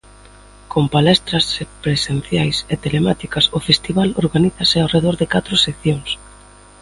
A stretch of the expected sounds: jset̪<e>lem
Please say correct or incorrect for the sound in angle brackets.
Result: correct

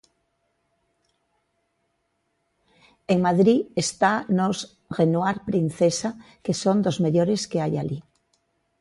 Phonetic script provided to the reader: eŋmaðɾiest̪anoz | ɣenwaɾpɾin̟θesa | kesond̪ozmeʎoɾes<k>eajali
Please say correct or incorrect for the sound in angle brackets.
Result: correct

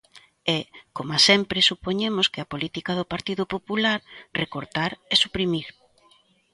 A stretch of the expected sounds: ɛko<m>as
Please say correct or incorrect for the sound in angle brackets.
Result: correct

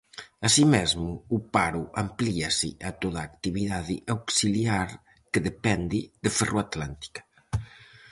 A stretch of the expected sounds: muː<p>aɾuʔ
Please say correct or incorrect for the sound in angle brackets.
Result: correct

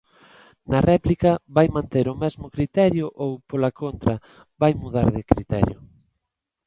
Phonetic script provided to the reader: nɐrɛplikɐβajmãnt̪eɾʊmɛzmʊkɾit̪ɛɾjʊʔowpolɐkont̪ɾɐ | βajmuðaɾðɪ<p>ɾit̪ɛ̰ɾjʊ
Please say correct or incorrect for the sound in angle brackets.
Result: incorrect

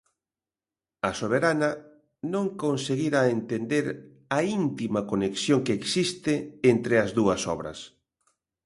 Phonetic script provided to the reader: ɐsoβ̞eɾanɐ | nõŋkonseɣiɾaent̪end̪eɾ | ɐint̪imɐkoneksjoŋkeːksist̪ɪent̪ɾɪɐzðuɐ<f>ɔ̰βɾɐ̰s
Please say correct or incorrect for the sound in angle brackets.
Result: incorrect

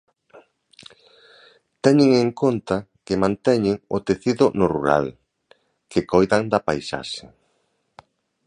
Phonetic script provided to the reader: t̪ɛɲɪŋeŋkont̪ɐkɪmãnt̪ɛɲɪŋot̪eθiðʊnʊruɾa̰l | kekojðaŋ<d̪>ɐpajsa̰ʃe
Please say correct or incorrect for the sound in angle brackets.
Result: correct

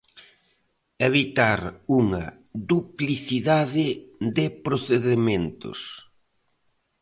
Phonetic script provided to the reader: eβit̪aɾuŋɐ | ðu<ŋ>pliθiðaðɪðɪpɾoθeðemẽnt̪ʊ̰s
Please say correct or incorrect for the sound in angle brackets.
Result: incorrect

